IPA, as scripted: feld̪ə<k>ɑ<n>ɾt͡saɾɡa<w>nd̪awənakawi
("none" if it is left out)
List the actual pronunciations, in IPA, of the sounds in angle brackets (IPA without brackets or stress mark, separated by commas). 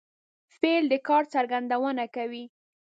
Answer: k, none, none